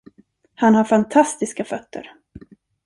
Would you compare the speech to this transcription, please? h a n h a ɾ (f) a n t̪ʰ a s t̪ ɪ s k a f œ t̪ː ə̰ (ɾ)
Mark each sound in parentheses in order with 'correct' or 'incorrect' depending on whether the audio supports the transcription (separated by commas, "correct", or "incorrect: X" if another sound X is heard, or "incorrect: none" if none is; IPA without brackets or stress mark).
correct, correct